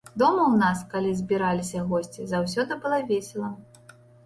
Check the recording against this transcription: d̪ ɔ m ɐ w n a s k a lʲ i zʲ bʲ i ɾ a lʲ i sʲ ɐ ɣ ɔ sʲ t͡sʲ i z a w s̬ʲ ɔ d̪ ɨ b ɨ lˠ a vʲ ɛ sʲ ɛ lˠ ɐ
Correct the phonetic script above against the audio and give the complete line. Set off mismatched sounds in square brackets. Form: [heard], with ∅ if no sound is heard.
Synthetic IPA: d̪ ɔ m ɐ w n a s k a lʲ i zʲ bʲ i ɾ a lʲ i sʲ ɐ ɣ ɔ sʲ t͡sʲ i z a w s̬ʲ ɔ d̪ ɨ b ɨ lˠ a vʲ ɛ sʲ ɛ lˠ ɐ